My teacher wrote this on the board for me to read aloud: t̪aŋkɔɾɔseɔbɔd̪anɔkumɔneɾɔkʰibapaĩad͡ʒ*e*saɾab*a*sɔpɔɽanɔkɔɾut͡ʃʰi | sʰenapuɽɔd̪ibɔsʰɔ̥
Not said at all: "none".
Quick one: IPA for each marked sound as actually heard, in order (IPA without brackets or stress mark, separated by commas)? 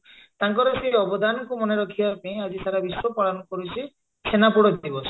i, i